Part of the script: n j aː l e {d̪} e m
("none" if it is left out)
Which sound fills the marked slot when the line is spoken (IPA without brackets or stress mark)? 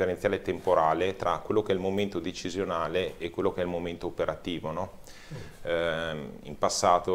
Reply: t̪